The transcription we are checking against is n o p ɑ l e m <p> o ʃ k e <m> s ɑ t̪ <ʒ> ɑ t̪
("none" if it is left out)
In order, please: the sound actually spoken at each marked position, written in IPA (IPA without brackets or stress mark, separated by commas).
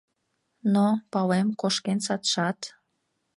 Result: k, n, ʃ